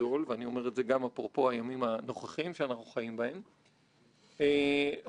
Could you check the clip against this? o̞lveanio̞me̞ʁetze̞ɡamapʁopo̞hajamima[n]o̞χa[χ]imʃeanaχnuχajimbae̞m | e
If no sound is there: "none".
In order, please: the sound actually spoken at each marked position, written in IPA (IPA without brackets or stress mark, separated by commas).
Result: n, χ